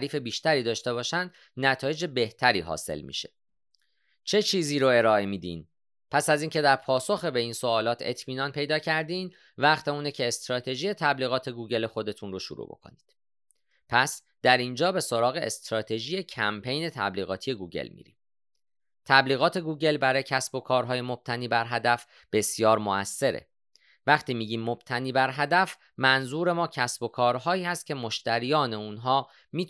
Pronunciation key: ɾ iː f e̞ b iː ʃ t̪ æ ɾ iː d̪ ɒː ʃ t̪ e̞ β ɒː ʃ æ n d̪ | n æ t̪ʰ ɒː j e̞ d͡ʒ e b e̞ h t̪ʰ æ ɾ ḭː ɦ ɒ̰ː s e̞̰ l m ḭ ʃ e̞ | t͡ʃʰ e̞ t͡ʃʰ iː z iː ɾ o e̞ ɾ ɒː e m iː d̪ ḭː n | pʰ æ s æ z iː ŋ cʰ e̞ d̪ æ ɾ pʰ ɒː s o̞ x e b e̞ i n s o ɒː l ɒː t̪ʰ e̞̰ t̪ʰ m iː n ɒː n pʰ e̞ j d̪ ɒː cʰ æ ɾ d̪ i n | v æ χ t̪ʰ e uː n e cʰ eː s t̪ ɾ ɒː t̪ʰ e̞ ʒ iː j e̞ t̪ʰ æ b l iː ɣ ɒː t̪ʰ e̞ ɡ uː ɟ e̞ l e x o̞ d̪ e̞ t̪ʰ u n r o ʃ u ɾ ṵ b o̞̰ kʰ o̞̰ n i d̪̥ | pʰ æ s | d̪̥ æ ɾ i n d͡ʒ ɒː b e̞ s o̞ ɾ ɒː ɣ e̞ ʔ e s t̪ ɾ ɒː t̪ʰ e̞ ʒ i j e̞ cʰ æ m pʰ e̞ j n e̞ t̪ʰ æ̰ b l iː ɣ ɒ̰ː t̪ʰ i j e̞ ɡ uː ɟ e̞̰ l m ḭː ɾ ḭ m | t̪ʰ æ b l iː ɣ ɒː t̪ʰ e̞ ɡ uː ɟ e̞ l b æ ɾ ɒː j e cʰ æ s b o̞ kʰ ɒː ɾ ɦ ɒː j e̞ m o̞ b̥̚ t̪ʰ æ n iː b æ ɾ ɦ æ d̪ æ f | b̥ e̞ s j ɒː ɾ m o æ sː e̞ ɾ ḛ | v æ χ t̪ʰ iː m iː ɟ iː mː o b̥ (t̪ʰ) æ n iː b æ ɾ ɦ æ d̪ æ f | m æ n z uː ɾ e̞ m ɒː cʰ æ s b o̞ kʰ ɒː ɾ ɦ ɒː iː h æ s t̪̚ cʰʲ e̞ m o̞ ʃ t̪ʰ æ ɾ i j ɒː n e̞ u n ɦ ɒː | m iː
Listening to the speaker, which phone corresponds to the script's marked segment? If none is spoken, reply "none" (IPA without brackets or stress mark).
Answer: t̪ʰ